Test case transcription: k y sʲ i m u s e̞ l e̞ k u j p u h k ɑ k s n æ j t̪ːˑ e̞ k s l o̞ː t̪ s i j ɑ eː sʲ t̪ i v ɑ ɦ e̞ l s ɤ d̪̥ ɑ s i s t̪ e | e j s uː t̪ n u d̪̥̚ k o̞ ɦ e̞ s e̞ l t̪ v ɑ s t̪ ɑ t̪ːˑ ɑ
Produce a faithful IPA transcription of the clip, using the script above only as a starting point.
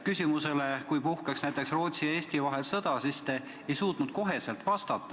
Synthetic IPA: k y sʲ i m u s e̞ l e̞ k u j p u h k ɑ k s n æ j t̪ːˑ e̞ k s r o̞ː t̪ s i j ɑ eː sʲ t̪ i v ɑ ɦ e̞ l s ɤ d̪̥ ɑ s i s t̪ e | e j s uː t̪ n u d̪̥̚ k o̞ ɦ e̞ s e̞ l t̪ v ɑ s t̪ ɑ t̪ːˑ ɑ